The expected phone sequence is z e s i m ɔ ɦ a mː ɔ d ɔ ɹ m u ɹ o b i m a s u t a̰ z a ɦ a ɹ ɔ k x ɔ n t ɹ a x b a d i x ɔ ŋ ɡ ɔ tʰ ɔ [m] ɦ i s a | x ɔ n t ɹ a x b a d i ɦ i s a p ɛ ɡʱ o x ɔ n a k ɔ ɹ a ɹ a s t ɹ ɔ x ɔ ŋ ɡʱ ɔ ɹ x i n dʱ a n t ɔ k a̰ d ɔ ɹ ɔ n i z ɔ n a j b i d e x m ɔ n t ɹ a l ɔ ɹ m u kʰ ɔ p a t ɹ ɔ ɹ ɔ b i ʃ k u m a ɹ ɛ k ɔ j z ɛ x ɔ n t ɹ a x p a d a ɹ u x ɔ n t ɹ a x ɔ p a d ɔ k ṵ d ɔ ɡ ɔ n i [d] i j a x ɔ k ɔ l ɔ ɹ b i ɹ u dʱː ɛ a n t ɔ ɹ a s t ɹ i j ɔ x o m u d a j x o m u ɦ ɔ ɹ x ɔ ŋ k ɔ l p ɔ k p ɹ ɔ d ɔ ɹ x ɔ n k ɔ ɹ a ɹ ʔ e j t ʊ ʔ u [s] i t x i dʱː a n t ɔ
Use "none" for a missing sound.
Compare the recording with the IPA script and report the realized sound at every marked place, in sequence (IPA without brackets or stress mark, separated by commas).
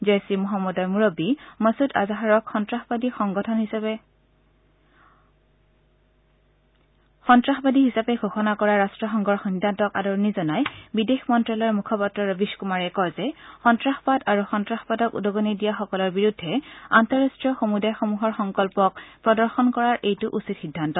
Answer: n, d, s